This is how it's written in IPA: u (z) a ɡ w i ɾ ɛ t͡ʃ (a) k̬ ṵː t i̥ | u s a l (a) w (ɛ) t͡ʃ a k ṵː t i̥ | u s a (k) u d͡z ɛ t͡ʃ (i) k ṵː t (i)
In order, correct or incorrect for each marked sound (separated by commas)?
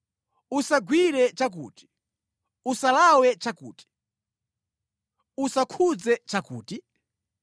incorrect, correct, correct, correct, incorrect, incorrect, correct